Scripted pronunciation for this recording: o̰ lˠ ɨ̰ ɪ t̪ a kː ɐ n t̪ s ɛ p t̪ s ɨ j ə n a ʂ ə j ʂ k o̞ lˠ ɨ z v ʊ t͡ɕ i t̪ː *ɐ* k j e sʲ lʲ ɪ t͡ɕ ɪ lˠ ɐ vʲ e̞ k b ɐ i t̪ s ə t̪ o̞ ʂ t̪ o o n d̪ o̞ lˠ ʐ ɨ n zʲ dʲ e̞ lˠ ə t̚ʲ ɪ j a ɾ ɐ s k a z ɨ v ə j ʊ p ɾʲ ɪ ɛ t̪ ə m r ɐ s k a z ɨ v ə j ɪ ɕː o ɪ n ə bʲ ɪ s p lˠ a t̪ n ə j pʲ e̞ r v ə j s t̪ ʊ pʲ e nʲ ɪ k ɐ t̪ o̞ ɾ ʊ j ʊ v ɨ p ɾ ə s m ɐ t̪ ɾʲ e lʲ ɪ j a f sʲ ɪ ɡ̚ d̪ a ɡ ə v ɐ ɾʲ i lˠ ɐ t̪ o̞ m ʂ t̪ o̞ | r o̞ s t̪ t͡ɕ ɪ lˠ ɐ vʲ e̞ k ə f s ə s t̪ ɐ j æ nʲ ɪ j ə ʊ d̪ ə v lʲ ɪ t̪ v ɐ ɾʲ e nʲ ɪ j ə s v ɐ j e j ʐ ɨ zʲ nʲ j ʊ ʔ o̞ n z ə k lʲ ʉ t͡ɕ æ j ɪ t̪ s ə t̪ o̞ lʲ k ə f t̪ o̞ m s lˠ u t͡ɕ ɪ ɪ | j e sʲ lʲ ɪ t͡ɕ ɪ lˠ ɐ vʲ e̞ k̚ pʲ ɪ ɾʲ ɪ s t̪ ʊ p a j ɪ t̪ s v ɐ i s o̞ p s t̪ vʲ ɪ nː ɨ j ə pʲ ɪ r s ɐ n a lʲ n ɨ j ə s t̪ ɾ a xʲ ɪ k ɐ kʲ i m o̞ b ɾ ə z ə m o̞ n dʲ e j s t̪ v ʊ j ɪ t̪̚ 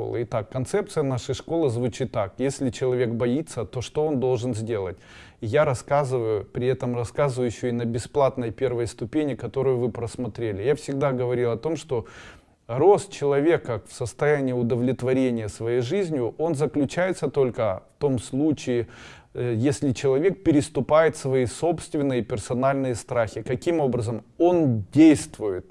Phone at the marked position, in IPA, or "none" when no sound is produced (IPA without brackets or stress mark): a